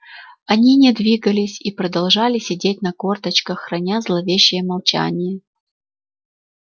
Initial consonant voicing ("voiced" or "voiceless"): voiced